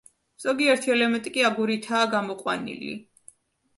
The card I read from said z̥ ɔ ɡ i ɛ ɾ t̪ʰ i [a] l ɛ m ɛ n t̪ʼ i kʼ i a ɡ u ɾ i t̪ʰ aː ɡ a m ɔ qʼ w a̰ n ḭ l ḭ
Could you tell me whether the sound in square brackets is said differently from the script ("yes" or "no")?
yes